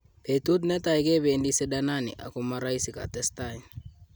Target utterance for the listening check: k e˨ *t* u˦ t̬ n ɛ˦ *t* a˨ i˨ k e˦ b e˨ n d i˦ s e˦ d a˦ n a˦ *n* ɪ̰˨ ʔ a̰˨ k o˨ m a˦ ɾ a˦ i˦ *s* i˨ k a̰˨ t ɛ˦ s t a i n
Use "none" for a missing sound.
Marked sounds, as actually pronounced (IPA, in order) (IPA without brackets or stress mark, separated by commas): t, t, n, s